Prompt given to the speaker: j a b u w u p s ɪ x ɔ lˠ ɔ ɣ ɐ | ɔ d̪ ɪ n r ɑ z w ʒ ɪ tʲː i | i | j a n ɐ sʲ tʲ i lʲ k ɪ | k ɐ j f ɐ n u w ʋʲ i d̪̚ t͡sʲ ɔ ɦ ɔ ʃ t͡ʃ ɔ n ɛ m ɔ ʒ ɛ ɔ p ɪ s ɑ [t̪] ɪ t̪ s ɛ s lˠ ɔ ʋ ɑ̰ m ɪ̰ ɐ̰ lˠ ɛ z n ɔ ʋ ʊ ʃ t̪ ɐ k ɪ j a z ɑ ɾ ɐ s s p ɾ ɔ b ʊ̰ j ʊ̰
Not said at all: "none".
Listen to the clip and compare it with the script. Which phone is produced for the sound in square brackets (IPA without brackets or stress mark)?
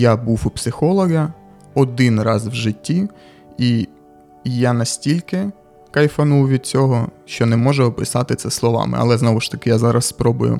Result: t̪